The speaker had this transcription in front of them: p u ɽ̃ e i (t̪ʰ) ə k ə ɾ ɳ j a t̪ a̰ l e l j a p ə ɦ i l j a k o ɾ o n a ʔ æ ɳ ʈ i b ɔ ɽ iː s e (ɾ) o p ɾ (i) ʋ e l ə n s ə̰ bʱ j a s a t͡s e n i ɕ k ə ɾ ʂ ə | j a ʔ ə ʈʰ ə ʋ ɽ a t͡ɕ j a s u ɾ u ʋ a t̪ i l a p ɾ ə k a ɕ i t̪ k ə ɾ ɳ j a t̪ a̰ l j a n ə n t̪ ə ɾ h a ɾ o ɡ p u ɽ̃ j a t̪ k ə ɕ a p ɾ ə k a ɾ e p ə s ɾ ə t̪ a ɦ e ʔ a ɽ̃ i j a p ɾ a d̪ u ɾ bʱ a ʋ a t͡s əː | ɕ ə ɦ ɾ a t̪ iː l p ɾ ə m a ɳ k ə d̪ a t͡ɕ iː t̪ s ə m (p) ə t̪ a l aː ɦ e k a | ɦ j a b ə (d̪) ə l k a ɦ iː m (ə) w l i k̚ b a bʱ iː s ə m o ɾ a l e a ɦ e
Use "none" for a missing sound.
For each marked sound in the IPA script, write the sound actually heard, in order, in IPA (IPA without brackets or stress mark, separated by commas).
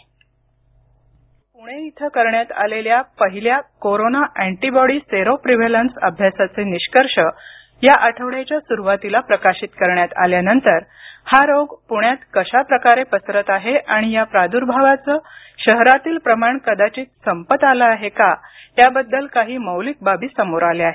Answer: t̪ʰ, ɾ, i, p, d̪ː, ə